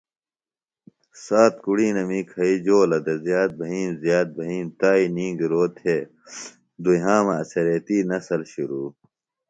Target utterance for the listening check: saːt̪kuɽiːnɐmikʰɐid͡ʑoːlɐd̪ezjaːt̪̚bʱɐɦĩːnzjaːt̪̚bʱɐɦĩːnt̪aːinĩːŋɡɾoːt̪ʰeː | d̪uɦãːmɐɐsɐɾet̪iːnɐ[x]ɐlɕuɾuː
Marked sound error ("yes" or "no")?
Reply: yes